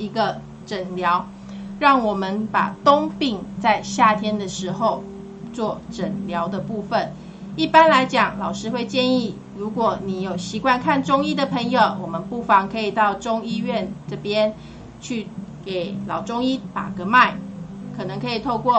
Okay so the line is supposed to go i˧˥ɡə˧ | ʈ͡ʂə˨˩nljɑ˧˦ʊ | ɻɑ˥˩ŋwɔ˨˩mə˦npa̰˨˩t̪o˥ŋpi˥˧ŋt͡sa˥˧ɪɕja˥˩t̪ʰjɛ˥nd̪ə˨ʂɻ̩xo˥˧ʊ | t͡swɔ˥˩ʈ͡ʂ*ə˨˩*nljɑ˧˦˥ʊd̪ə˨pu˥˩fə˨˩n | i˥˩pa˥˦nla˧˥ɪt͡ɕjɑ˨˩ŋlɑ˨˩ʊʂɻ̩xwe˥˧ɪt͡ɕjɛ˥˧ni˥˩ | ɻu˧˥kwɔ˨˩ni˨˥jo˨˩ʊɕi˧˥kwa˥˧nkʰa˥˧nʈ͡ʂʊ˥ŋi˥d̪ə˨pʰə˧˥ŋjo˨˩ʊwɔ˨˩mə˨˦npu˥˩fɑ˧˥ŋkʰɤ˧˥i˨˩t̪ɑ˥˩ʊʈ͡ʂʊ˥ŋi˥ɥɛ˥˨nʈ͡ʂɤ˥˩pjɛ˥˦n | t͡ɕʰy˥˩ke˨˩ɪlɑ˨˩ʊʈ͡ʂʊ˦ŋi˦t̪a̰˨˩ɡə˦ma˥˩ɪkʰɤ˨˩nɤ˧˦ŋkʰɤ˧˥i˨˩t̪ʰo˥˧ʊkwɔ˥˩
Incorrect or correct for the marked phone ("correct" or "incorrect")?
correct